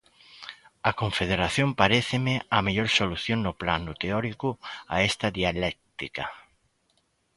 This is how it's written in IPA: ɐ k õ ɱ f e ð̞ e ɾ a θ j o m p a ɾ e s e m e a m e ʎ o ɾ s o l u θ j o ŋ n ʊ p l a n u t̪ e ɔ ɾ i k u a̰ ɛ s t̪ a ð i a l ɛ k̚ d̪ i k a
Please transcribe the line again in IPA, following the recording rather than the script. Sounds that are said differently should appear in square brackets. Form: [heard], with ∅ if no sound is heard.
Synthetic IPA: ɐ k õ ɱ f e ð̞ e ɾ a θ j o m p a ɾ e [θ] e m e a m e ʎ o ɾ s o l u θ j o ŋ n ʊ p l a n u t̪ e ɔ ɾ i k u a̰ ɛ s t̪ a ð i a l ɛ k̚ [t̪] i k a